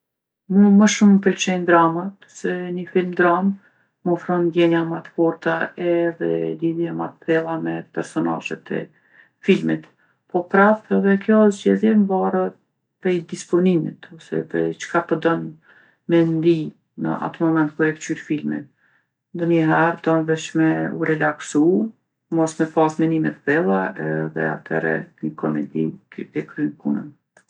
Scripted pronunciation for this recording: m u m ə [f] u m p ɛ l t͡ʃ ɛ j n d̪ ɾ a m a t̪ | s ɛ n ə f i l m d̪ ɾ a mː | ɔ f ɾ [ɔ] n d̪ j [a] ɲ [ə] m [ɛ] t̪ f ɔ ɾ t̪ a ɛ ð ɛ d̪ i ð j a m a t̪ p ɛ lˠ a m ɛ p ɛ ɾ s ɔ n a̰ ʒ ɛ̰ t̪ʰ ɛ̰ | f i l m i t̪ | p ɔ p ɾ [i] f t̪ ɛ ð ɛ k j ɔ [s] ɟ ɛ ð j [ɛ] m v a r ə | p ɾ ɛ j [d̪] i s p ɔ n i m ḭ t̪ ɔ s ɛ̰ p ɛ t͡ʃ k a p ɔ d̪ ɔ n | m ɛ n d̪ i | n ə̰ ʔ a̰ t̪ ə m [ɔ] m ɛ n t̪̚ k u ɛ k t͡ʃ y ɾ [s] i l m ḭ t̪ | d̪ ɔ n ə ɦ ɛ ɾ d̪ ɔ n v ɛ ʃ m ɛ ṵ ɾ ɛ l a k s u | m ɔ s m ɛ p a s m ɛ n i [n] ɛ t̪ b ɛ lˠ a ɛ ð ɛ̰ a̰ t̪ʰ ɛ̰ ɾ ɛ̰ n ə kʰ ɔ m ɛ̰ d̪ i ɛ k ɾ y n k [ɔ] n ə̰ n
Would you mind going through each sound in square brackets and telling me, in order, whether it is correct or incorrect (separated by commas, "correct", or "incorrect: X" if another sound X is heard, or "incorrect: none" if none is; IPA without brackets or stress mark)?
incorrect: ʃ, correct, incorrect: ɛ, incorrect: a, incorrect: a, incorrect: a, incorrect: z, correct, correct, correct, incorrect: f, incorrect: m, incorrect: u